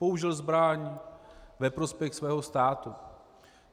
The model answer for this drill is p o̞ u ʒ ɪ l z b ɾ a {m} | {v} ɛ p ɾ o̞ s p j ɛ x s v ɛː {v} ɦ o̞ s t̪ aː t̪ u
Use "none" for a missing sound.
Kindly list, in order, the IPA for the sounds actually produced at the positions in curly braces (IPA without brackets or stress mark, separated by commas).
ɲ, v, none